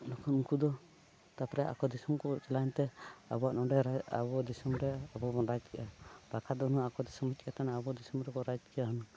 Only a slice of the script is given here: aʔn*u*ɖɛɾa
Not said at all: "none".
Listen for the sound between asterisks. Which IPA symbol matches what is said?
ɔ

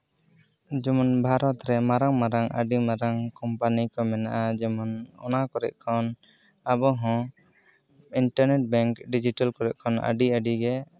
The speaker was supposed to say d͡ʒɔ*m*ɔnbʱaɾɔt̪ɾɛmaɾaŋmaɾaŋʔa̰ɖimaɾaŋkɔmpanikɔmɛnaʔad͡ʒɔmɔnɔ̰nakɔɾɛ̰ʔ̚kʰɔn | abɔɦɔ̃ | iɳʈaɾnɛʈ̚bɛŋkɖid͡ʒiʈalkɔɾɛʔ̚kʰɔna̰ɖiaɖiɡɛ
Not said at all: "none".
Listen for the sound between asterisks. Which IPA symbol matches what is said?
m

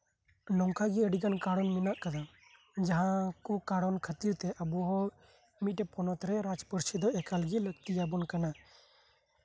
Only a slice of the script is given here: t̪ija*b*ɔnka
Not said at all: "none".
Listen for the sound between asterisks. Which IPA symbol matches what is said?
b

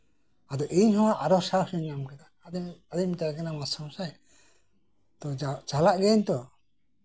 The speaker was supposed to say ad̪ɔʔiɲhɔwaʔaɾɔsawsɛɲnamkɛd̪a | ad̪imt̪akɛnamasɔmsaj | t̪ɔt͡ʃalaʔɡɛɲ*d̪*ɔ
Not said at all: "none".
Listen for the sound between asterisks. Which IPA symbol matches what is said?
t̪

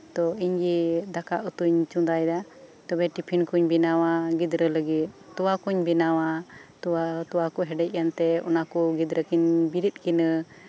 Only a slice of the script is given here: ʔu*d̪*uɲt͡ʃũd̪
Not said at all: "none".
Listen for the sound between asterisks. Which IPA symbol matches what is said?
t̪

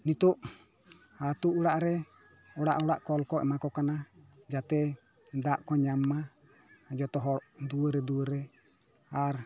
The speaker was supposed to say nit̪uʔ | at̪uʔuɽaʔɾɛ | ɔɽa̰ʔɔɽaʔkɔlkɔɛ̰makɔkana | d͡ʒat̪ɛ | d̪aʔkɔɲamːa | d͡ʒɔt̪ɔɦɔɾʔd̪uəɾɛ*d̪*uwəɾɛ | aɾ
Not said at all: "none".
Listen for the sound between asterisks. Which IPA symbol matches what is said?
d̪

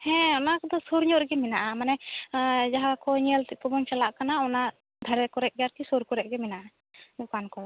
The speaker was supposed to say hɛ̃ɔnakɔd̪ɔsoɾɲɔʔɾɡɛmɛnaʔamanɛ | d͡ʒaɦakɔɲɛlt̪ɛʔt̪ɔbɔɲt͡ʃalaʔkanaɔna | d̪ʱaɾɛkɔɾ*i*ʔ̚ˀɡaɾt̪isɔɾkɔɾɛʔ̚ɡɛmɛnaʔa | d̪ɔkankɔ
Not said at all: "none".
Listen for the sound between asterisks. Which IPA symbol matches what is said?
ɛ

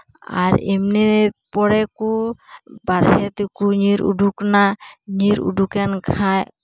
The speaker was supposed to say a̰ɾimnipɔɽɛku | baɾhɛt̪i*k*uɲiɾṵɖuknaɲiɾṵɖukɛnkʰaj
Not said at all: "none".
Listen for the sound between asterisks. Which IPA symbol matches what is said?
k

